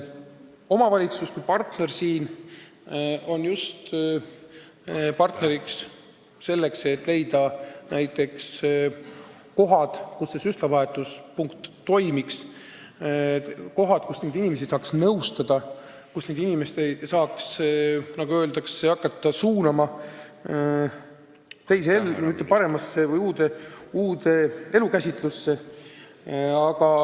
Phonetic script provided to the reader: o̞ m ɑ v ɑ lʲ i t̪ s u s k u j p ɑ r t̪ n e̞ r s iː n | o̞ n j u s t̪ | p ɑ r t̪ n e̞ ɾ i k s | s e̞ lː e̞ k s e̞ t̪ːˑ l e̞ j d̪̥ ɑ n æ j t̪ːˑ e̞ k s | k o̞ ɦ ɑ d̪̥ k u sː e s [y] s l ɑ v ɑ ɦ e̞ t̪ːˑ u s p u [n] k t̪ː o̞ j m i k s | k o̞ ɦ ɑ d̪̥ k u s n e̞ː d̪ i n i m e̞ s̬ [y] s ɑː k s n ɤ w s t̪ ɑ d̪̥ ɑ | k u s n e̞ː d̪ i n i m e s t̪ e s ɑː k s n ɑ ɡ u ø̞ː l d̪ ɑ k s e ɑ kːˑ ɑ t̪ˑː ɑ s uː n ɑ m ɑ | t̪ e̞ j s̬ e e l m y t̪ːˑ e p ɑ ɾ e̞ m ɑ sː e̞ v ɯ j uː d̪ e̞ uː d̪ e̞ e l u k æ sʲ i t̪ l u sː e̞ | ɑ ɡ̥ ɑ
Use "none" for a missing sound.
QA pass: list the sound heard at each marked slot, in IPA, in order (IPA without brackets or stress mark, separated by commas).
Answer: y, ŋ, i